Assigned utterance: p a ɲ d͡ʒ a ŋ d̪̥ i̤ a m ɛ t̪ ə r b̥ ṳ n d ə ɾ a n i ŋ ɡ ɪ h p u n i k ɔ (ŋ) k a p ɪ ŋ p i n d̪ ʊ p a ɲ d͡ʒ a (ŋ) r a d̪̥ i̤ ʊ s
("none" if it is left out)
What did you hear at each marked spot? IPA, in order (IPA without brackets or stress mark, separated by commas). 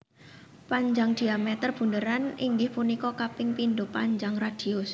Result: none, ŋ